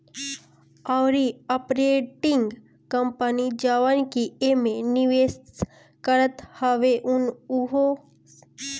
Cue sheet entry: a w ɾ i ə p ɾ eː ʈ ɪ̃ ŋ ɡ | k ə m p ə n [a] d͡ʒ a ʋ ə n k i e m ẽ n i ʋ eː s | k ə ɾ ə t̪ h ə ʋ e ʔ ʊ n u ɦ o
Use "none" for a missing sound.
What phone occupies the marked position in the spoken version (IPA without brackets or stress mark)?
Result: i